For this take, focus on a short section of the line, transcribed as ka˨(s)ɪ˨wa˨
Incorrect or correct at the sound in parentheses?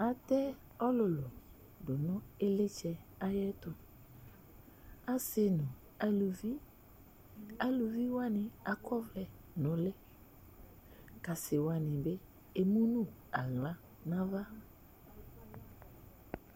correct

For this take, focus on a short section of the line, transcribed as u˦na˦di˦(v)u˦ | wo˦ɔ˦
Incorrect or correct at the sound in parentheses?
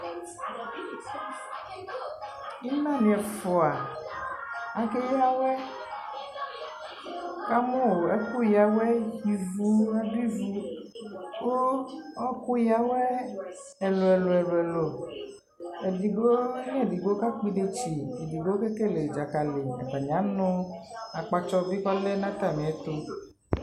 correct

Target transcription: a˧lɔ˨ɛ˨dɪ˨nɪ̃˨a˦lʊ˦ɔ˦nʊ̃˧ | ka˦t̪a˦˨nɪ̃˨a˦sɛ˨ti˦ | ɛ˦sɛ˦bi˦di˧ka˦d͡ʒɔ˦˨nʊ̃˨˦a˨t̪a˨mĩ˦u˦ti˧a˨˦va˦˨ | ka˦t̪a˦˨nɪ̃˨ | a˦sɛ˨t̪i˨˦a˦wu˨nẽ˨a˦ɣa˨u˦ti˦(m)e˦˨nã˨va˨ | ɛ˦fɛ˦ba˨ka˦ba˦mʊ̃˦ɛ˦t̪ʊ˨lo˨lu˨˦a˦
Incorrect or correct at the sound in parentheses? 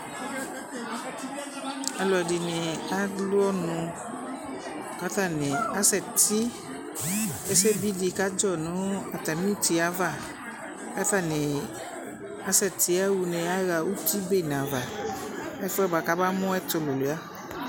incorrect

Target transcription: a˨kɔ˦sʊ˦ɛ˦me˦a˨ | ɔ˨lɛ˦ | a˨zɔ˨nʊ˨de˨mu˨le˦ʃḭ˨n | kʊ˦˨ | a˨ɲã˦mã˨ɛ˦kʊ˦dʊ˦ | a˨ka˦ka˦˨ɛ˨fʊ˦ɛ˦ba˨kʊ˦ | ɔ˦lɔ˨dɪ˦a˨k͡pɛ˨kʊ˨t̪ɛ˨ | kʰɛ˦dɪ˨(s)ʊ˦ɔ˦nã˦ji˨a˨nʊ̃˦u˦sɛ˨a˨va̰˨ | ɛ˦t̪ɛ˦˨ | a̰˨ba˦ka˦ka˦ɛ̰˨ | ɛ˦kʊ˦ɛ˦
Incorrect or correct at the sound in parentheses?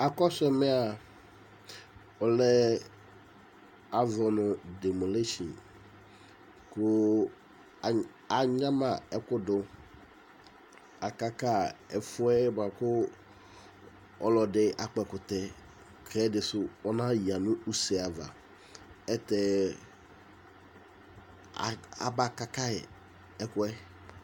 correct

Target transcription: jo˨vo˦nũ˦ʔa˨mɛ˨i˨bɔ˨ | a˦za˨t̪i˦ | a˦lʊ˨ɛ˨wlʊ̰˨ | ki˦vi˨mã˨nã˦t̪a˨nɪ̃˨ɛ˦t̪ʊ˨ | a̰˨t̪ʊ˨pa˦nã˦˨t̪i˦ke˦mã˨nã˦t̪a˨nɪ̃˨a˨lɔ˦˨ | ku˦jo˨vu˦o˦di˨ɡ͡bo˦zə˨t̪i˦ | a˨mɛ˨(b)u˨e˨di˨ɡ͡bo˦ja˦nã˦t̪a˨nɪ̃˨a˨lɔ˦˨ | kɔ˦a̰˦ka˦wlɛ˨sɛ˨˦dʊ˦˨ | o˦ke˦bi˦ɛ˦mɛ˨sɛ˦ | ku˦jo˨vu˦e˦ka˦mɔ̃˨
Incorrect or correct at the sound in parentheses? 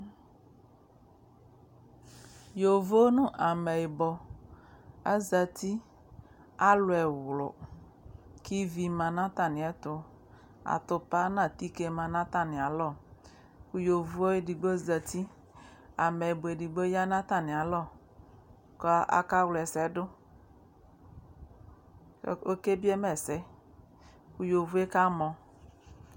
correct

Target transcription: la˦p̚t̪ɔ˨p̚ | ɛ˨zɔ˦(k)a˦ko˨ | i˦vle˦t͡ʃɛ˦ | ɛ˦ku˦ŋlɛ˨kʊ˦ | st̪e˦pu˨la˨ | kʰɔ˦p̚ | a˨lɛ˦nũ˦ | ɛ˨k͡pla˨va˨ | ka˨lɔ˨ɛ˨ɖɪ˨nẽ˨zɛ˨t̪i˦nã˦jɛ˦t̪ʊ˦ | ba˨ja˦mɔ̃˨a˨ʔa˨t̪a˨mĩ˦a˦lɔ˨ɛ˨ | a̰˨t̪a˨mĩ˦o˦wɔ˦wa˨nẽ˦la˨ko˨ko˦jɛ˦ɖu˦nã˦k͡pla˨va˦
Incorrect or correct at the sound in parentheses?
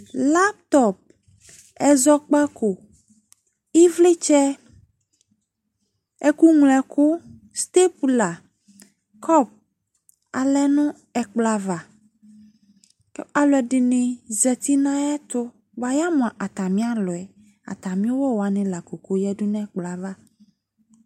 incorrect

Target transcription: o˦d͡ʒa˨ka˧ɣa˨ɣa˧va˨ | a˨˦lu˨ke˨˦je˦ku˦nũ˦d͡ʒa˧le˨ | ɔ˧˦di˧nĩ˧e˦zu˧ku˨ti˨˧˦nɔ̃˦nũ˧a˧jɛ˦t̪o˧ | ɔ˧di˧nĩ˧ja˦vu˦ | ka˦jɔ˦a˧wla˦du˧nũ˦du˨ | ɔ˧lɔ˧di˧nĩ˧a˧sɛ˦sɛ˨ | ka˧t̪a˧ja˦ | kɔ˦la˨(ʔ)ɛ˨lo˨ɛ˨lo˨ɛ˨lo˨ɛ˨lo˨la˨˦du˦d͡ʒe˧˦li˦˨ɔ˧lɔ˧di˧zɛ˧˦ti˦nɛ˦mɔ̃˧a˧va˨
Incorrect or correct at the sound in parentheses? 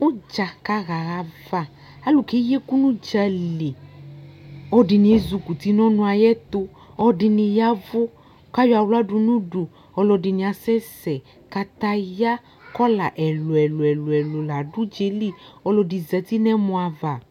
correct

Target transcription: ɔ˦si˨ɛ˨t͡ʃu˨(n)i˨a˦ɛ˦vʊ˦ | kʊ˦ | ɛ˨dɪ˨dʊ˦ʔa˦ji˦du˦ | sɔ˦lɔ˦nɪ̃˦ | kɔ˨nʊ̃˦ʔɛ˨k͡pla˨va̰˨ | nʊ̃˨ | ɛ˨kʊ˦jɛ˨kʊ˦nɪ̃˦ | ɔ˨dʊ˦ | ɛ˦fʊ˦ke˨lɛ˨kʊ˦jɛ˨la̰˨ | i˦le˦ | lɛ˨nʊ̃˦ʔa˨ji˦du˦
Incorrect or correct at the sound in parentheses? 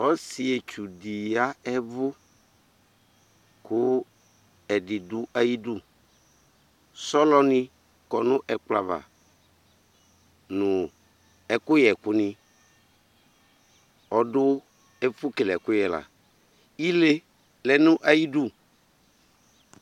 incorrect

